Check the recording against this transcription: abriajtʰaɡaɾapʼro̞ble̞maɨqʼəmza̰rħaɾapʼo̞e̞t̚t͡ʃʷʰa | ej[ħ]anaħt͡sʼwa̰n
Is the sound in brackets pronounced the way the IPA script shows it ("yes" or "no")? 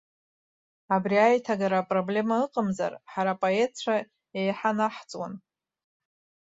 yes